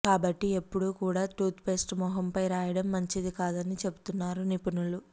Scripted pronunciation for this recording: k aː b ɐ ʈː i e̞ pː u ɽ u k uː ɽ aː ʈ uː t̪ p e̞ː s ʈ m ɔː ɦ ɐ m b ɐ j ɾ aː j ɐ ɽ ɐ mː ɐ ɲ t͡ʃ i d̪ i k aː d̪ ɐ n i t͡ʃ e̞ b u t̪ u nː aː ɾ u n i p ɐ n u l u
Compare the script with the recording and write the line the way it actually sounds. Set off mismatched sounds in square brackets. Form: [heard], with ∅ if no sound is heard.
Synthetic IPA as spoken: k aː b ɐ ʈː i e̞ pː u ɽ u k uː ɽ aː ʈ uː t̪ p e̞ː s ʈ m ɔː ɦ ɐ m [p] ɐ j ɾ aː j ɐ ɽ ɐ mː ɐ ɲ t͡ʃ i d̪ i k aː d̪ ɐ n i t͡ʃ e̞ b u t̪ u nː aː ɾ u n i p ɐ n u l u